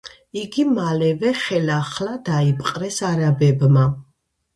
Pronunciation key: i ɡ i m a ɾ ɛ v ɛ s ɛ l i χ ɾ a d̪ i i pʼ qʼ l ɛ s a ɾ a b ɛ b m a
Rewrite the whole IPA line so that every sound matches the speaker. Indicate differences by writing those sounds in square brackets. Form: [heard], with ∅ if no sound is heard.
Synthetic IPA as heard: i ɡ i m a [l] ɛ v ɛ [χ] ɛ l [a] χ [l] a d̪ [a] i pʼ qʼ [ɾ] ɛ s a ɾ a b ɛ b m a